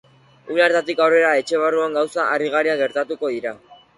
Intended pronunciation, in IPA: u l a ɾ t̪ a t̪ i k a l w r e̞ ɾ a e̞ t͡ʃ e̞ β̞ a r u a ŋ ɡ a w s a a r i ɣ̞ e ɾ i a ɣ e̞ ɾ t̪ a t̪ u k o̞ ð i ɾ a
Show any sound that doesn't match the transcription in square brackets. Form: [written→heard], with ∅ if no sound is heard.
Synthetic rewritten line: u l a ɾ t̪ a t̪ i k a [l→∅] w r e̞ ɾ a e̞ t͡ʃ e̞ β̞ a r u a ŋ ɡ a w s a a r i ɣ̞ [e→a] ɾ i a ɣ e̞ ɾ t̪ a t̪ u k o̞ ð i ɾ a